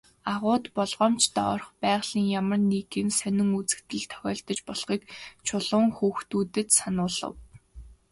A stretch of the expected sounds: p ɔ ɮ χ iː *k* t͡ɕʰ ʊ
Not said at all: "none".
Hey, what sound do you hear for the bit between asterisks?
k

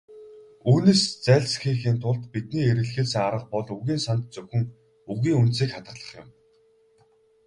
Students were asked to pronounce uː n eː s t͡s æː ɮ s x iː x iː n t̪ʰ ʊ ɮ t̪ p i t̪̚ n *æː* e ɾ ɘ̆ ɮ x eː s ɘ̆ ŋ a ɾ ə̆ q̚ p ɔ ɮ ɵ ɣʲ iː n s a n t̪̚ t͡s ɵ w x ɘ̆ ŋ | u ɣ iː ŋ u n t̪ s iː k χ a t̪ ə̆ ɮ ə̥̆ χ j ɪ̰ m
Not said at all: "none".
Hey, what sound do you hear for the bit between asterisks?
iː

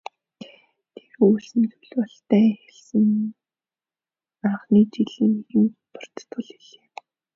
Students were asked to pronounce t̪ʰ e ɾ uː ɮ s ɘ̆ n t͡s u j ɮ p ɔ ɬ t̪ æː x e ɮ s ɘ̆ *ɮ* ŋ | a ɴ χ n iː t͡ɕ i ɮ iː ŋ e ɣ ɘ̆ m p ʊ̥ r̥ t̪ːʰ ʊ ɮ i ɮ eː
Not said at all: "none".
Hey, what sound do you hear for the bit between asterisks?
none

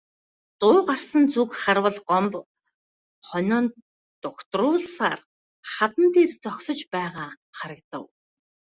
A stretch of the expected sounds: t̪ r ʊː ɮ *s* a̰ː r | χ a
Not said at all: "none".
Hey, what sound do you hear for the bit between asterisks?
s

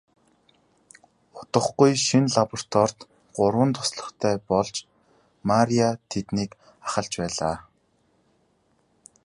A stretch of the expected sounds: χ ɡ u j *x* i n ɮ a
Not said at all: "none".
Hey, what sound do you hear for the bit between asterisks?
ʃ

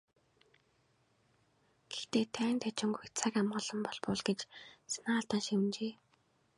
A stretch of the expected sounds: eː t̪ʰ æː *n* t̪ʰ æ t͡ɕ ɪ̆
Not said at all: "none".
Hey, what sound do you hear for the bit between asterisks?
n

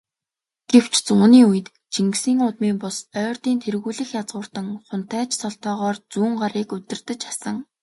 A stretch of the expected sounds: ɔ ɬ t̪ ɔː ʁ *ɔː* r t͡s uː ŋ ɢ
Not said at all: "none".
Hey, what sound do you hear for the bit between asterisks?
ɔː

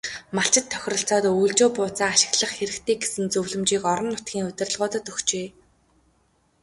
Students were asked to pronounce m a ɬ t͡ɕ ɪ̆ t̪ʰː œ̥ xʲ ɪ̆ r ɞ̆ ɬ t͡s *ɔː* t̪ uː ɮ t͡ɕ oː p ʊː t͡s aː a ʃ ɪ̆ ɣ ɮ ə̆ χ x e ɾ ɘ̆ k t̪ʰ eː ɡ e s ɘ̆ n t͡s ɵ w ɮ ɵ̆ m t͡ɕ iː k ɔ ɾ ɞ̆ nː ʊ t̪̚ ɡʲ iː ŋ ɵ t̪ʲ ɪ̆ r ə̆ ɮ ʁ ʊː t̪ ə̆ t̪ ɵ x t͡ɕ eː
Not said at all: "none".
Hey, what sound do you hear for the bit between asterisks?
ɔː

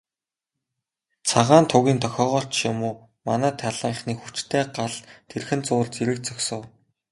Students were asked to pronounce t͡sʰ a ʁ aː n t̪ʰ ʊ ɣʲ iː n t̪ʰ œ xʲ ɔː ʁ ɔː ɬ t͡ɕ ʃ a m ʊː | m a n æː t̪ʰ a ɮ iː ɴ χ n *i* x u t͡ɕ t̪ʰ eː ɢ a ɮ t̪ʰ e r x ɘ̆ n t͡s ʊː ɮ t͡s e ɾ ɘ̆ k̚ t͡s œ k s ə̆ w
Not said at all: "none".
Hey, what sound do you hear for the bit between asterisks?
iː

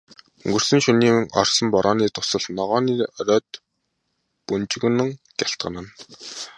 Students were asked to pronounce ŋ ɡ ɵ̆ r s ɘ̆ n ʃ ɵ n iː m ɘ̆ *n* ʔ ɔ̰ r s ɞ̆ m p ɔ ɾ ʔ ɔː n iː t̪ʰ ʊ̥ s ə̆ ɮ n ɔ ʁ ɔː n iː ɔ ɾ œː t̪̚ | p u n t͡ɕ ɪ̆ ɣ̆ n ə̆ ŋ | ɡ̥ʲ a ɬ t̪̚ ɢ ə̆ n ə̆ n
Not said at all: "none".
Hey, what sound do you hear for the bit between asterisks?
ŋ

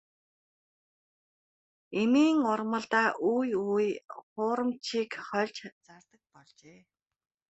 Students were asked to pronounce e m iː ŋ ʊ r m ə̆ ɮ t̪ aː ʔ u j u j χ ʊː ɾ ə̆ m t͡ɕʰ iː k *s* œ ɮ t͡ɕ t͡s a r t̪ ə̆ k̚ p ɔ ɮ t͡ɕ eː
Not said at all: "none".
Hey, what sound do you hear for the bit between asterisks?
χ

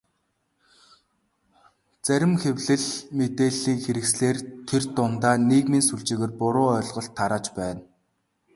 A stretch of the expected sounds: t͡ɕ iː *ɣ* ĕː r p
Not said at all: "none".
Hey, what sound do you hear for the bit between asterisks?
ɣ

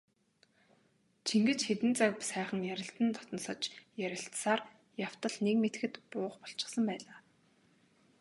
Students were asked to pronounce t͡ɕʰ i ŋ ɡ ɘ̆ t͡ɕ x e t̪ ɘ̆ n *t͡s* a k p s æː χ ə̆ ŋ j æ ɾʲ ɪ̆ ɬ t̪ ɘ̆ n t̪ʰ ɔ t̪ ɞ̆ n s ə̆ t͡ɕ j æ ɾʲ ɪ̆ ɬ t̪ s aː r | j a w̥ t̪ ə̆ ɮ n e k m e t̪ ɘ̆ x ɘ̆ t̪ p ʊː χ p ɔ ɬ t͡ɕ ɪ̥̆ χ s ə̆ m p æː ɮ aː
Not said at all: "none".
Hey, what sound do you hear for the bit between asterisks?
t͡s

